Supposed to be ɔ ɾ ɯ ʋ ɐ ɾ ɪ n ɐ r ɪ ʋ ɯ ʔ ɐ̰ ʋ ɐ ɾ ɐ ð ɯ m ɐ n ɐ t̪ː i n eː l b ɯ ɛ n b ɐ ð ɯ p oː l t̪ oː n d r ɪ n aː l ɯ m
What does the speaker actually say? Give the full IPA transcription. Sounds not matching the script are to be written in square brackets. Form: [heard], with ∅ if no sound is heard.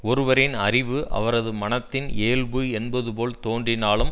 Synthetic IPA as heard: ɔ ɾ ɯ ʋ ɐ ɾ ɪ n ɐ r ɪ ʋ ɯ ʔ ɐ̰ ʋ ɐ ɾ ɐ ð ɯ m ɐ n ɐ t̪ː [ɪ] n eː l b ɯ ɛ n b ɐ ð ɯ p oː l t̪ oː n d r ɪ n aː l ɯ m